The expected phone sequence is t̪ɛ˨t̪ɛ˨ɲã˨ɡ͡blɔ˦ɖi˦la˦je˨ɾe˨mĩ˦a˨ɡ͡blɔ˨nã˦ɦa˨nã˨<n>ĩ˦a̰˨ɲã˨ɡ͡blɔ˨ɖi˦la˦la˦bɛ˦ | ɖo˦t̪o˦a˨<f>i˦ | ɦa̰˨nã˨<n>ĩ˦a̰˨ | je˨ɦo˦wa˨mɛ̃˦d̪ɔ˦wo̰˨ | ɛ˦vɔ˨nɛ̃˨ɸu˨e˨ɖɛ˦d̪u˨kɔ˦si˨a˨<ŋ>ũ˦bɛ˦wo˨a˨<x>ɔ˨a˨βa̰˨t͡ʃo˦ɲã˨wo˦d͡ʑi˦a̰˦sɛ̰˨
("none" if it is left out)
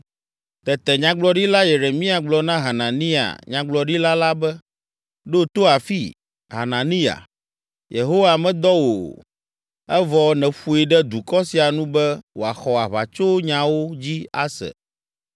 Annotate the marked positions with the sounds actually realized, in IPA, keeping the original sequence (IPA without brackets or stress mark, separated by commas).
n, f, n, n, x